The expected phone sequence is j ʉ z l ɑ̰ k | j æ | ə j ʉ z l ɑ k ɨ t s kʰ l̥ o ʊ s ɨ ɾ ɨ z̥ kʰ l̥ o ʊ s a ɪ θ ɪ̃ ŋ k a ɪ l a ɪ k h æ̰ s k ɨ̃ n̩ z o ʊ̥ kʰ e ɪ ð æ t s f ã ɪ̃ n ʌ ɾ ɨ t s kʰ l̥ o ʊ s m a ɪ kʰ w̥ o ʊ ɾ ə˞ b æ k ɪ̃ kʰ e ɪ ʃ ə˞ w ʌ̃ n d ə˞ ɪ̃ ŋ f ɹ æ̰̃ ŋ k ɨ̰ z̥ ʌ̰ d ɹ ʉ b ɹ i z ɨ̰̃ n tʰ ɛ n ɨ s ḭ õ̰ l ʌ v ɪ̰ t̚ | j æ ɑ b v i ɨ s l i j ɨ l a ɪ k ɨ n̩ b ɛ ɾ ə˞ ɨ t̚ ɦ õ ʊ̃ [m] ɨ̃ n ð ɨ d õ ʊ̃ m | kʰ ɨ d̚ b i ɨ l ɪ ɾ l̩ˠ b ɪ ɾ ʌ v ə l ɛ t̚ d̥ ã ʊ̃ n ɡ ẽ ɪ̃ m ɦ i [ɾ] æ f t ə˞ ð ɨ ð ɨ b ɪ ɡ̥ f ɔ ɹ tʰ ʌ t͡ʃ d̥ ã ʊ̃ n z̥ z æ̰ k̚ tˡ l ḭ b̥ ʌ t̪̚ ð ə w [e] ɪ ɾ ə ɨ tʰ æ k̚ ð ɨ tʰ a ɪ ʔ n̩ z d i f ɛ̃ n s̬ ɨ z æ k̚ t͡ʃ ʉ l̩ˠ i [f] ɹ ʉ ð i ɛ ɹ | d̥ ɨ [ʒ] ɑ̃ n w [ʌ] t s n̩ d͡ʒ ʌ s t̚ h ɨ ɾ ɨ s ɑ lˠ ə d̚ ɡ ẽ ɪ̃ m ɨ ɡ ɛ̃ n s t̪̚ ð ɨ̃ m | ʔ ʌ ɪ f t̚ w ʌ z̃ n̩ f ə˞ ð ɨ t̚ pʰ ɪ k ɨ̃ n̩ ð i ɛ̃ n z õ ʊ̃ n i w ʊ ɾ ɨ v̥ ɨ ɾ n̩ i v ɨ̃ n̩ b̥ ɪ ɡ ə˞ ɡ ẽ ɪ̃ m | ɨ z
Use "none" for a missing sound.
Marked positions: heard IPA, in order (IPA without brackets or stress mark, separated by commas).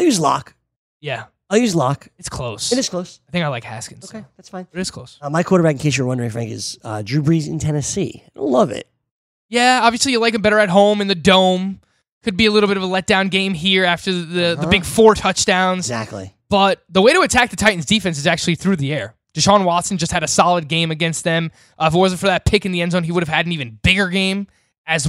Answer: m, ɹ, e, θ, ʃ, ɑ